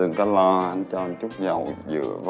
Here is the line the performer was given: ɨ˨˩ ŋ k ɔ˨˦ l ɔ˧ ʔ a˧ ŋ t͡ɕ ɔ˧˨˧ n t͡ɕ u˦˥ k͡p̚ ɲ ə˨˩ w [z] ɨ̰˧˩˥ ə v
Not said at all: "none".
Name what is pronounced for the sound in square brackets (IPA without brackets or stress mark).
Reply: z